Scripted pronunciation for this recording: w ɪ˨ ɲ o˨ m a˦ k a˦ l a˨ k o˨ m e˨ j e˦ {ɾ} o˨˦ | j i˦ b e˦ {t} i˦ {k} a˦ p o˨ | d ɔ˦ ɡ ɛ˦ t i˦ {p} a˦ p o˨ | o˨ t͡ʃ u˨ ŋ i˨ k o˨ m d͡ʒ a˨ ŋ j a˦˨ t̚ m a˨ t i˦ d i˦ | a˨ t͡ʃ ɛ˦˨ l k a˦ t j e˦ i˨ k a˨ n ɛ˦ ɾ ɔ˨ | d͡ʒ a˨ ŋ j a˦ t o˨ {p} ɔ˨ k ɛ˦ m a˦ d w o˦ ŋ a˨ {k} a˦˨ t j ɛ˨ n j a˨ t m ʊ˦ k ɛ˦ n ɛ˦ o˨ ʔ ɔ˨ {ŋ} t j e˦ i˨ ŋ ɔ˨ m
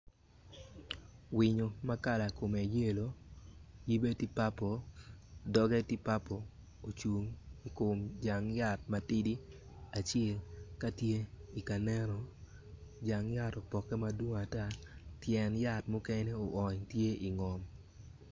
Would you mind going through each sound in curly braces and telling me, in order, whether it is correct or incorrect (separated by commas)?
incorrect, correct, incorrect, correct, correct, incorrect, incorrect